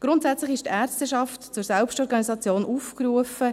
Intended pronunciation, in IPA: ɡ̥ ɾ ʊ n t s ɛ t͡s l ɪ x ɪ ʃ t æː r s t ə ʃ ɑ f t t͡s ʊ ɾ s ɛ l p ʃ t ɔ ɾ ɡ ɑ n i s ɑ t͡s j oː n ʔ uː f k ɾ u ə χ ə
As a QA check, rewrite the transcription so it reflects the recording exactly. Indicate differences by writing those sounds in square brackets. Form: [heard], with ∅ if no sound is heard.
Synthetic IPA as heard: ɡ̥ ɾ ʊ n t s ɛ t͡s l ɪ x ɪ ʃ t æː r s t ə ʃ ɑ f t t͡s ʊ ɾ s ɛ l p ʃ t ɔ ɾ ɡ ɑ n i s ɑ t͡s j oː n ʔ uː f k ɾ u ə [f] ə